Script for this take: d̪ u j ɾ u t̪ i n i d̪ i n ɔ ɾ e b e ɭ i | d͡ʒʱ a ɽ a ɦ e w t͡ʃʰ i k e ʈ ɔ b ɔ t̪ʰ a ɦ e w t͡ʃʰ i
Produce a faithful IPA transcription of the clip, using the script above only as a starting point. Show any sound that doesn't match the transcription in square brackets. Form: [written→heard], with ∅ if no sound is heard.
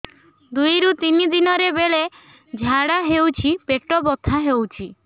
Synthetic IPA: d̪ u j ɾ u t̪ i n i d̪ i n ɔ ɾ e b e ɭ [i→e] | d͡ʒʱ a ɽ a ɦ e w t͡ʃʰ i [k→p] e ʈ ɔ b ɔ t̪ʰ a ɦ e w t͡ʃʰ i